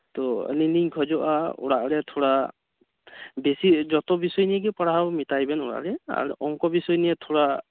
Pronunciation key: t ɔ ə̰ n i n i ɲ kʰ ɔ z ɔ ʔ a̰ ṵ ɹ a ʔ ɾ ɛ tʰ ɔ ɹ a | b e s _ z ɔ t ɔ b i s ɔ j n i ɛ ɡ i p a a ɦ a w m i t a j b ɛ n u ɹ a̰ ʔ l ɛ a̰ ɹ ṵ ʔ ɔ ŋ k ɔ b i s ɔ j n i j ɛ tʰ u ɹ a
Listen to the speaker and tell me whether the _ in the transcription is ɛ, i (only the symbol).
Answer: i